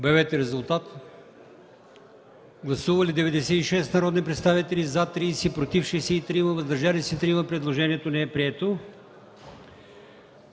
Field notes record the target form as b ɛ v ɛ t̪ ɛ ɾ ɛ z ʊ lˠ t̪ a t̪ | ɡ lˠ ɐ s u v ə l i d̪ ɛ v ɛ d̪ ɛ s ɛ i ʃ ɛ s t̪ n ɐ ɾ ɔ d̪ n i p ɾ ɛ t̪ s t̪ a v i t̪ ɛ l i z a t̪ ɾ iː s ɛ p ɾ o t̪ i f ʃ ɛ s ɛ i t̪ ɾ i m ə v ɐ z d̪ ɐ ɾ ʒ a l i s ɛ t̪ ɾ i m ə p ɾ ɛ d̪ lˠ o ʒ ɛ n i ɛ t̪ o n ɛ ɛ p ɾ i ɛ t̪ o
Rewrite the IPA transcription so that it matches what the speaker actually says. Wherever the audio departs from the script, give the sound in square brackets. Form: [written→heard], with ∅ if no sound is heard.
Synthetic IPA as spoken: b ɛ v ɛ t̪ ɛ ɾ ɛ z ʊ lˠ t̪ a t̪ | ɡ lˠ ɐ s u v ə l i d̪ ɛ v ɛ d̪ ɛ s ɛ i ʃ ɛ s t̪ n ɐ ɾ ɔ d̪ n i p ɾ ɛ t̪ s t̪ a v i t̪ ɛ l i z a t̪ ɾ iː s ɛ p ɾ o t̪ i f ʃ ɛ s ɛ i t̪ ɾ i m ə v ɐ z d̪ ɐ ɾ ʒ a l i s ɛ t̪ ɾ i m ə p ɾ ɛ d̪ lˠ o ʒ ɛ n i ɛ t̪ o n ɛ ɛ p ɾ i ɛ t̪ o